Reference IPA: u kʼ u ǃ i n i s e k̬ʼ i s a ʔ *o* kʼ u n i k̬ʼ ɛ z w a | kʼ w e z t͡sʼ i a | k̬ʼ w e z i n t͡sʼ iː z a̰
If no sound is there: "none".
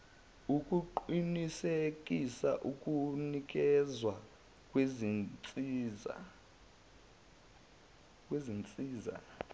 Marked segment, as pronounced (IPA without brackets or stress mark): u